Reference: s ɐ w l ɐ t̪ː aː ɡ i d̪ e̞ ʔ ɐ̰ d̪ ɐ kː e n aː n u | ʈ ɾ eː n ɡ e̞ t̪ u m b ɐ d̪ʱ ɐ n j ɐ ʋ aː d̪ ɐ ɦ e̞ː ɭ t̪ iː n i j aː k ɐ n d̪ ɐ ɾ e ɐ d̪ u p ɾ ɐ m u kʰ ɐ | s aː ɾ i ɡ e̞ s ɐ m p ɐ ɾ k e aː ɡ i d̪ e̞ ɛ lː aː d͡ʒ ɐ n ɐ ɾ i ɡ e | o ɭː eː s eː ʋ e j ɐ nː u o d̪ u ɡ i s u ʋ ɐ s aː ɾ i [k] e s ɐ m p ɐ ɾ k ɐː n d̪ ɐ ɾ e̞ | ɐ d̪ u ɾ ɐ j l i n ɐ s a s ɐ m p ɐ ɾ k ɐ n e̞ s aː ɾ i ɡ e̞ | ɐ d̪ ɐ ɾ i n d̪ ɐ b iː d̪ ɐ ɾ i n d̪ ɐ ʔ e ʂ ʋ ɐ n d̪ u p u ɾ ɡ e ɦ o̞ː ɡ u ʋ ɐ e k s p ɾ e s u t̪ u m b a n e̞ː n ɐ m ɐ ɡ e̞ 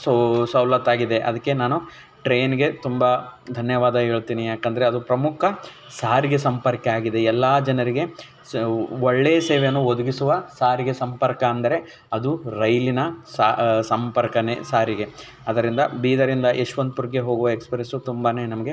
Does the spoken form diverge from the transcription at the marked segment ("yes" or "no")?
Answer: yes